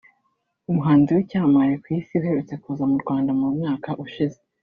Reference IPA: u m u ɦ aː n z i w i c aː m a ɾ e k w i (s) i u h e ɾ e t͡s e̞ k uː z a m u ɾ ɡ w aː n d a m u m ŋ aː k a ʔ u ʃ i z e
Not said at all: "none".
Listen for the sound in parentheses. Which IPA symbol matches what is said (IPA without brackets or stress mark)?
s